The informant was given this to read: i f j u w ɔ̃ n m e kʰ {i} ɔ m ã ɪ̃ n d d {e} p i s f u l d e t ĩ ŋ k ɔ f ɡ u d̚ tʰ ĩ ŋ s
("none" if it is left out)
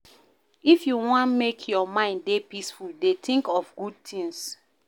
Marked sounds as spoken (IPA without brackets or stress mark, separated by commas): j, e